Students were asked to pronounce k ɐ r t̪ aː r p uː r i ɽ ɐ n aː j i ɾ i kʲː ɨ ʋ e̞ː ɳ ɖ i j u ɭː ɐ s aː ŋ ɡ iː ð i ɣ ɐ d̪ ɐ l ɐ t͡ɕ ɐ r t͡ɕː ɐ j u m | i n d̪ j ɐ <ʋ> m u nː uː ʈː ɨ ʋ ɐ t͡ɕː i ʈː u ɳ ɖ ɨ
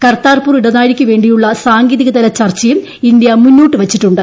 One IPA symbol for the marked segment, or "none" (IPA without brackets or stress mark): none